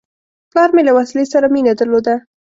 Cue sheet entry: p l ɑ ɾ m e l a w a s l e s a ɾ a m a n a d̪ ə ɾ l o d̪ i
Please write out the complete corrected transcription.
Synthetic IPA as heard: p l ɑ ɾ m e l a w a s l e s a ɾ a m i n a d̪ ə ɾ l o d̪ a